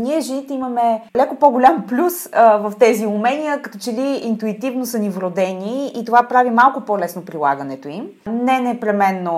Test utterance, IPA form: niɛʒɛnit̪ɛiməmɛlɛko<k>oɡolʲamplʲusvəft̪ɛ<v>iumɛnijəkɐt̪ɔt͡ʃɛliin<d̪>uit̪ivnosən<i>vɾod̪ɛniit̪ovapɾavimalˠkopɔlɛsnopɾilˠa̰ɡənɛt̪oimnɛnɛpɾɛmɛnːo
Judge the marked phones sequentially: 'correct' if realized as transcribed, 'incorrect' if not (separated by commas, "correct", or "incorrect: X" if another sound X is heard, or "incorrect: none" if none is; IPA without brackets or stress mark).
incorrect: p, incorrect: z, incorrect: t̪, correct